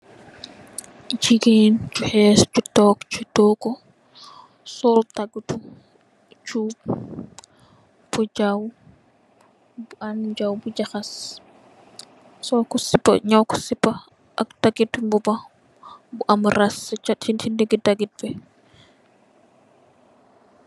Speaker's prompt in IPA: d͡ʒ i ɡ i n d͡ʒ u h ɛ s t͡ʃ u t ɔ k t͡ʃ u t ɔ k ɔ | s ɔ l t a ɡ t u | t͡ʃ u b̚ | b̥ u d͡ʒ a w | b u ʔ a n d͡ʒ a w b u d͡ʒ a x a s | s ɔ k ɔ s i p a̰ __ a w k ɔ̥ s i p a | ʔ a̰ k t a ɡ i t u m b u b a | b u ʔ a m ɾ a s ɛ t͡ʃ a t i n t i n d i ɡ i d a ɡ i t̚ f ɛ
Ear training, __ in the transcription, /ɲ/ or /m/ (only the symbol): ɲ